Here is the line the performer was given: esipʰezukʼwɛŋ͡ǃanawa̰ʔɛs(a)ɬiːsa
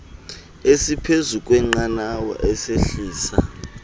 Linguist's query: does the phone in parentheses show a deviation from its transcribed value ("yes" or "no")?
yes